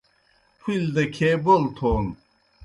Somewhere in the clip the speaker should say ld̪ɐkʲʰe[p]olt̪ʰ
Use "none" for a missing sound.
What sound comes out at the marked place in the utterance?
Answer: b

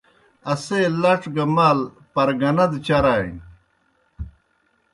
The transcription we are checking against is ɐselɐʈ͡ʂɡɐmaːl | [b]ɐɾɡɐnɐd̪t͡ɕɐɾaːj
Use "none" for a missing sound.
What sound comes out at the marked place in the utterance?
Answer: p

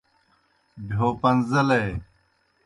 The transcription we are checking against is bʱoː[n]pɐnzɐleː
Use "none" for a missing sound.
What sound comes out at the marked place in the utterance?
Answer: none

